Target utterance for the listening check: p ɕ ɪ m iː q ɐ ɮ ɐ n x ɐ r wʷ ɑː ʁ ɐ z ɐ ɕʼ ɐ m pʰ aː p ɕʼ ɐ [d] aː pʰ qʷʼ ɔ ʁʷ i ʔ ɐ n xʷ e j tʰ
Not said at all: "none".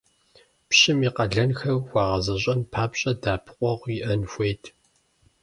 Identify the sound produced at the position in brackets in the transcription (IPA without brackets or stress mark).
d